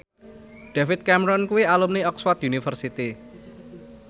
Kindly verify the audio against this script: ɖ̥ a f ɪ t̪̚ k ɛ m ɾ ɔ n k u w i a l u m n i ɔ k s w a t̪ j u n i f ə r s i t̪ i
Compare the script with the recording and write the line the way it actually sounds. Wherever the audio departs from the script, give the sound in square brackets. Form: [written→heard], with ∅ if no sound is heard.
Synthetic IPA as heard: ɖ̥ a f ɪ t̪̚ k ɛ m ɾ ɔ n k u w i a l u m n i ɔ k s w a t̪ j u n i f ə r s i t̪ i